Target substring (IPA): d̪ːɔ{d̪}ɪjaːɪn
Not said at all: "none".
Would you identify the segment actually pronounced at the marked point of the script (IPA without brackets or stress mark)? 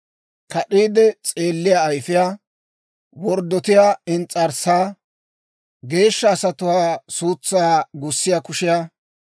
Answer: t̪